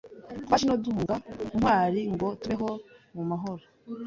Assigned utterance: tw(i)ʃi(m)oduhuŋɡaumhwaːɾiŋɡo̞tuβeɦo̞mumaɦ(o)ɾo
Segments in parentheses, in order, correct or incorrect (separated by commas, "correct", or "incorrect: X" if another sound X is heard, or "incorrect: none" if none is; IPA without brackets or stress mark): incorrect: a, incorrect: n, correct